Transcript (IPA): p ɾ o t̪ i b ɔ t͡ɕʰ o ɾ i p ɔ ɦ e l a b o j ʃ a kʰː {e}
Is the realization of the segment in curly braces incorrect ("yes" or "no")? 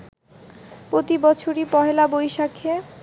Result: no